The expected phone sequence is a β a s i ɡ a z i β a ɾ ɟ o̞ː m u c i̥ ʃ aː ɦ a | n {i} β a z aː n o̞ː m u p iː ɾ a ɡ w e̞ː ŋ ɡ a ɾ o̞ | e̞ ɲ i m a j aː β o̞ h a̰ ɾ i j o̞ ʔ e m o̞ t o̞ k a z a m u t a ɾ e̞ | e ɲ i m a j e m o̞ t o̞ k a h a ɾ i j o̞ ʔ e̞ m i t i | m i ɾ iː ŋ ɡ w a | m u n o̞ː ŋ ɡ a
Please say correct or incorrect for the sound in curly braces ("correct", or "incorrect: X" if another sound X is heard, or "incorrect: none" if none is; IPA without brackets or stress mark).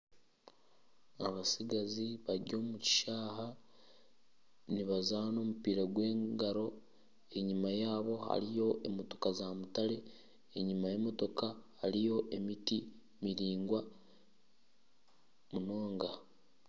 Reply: correct